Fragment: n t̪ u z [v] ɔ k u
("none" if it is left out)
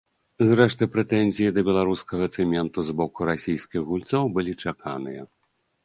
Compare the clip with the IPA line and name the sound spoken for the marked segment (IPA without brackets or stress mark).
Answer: b